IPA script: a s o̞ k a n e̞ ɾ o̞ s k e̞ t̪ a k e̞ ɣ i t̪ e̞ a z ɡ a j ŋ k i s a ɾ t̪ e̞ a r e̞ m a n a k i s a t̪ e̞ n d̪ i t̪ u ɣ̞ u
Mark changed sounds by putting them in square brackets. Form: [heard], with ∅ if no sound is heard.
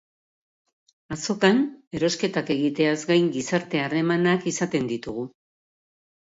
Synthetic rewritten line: a s o̞ k a n e̞ ɾ o̞ s k e̞ t̪ a k e̞ ɣ i t̪ e̞ a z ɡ a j ŋ [ɡ] i s a ɾ t̪ e̞ a r e̞ m a n a k i s a t̪ e̞ n d̪ i t̪ u ɣ̞ u